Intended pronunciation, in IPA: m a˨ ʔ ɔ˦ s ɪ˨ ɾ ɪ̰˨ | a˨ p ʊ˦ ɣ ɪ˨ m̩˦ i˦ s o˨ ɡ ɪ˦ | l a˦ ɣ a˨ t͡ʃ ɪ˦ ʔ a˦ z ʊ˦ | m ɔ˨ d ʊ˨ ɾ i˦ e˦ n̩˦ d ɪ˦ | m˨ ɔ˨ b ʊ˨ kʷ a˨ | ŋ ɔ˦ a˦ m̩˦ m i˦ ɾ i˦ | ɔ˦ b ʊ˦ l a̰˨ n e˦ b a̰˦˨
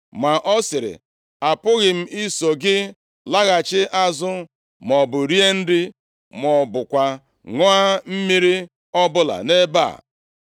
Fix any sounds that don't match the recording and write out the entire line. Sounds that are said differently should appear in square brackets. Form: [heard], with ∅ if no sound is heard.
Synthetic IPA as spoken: m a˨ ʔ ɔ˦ s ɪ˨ ɾ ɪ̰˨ | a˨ p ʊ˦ ɣ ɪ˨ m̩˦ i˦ s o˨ ɡ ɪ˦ | l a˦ ɣ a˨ t͡ʃ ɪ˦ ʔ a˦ z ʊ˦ | m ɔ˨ [b] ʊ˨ ɾ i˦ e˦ n̩˦ d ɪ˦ | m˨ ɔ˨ b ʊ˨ kʷ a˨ | ŋ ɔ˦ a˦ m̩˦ m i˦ ɾ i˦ | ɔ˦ b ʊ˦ l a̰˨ n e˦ b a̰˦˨